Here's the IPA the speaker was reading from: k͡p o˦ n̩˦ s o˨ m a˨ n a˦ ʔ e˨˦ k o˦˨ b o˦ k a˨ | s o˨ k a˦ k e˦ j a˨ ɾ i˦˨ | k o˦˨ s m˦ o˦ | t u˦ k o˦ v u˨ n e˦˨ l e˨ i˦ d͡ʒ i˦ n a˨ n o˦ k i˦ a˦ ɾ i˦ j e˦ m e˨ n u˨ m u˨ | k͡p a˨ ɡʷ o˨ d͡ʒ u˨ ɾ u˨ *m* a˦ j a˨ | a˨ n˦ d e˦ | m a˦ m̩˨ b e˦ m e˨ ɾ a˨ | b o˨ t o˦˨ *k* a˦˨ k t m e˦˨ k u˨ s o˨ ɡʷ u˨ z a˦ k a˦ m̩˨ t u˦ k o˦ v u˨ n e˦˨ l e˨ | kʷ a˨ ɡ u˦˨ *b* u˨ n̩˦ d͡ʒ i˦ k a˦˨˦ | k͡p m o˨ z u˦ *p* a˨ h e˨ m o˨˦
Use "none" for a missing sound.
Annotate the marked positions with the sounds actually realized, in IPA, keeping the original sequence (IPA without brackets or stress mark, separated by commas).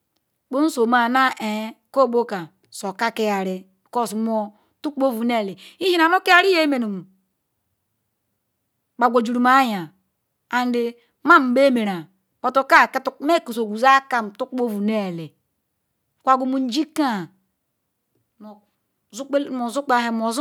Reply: m, k, m, k͡p